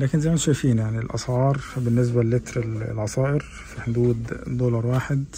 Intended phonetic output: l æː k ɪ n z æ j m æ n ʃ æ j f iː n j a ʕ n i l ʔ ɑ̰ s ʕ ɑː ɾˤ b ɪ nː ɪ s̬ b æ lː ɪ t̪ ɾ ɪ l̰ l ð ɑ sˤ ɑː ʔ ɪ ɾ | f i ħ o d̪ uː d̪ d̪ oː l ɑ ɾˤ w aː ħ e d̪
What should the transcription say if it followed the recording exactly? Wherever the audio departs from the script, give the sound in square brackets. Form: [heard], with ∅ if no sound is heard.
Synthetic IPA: l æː k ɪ n z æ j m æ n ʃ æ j f iː n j a ʕ n i l ʔ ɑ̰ s ʕ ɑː ɾˤ b ɪ nː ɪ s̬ b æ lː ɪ t̪ ɾ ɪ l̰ l [ʕ] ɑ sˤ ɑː ʔ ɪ ɾ | f i ħ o d̪ uː d̪ d̪ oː l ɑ ɾˤ w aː ħ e d̪